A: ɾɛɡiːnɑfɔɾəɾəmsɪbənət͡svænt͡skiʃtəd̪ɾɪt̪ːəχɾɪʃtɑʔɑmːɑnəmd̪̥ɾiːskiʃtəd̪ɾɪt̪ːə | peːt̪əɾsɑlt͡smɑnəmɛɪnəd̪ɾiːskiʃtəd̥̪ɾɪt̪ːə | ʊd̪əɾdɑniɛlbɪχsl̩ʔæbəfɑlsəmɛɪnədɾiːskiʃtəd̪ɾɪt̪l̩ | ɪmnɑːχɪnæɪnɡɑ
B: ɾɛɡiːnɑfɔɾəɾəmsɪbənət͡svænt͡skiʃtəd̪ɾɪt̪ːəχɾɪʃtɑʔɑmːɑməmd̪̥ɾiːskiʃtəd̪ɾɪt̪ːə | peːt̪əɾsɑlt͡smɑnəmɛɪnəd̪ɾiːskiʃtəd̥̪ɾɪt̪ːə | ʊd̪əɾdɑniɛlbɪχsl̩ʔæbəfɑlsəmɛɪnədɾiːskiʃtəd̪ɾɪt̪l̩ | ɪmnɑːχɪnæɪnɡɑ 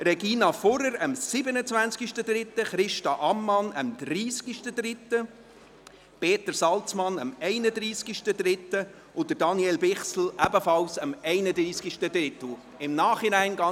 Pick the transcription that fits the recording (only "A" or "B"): A